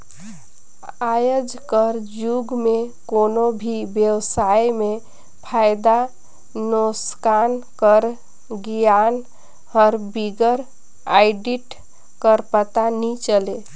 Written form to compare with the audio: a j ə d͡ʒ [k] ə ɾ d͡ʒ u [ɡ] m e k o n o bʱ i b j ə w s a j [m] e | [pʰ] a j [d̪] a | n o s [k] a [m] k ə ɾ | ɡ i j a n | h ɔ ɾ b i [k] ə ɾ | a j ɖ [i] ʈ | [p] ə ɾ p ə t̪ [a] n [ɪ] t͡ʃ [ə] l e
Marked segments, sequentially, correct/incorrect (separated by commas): correct, correct, correct, correct, correct, correct, incorrect, incorrect, correct, incorrect, correct, incorrect, correct